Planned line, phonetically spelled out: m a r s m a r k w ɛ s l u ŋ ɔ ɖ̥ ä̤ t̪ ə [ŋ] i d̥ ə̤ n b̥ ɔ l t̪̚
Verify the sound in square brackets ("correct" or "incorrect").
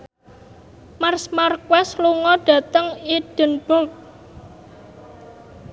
correct